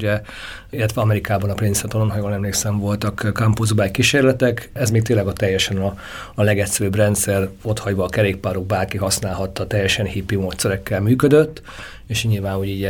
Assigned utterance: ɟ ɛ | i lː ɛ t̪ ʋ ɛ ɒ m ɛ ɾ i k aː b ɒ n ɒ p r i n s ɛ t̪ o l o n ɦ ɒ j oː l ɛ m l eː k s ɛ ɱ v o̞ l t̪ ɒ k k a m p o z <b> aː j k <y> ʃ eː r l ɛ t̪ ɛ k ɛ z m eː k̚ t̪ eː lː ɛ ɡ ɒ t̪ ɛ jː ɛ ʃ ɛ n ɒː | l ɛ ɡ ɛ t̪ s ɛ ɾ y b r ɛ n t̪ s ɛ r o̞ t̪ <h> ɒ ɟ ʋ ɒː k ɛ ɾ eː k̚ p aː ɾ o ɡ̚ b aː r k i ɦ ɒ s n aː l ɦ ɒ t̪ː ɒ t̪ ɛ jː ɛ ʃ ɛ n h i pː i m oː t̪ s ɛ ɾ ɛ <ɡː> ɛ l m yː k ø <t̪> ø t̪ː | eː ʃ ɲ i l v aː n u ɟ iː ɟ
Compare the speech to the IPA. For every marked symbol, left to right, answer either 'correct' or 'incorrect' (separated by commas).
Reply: correct, incorrect, correct, incorrect, incorrect